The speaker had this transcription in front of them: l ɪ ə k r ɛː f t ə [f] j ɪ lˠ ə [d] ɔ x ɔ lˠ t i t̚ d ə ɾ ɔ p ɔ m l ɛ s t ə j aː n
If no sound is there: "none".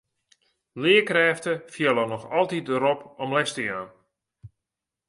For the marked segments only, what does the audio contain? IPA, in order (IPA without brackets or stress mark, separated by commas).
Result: f, n